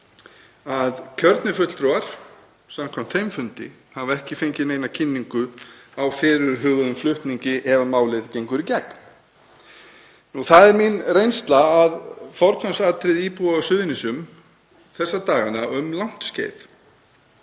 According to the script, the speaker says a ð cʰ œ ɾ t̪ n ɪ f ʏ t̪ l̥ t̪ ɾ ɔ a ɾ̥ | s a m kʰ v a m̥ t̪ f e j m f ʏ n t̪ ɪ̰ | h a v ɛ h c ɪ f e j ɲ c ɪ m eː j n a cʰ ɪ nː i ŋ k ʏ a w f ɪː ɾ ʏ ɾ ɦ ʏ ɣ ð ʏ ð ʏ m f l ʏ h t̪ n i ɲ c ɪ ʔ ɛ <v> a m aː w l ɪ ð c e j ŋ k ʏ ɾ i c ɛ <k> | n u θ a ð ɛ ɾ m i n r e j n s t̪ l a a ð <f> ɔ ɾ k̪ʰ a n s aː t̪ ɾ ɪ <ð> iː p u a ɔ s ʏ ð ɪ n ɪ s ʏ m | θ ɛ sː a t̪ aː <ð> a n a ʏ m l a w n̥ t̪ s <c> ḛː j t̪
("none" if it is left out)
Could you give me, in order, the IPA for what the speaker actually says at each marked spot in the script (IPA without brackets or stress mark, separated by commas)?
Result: v, k, f, ð, ɣ, c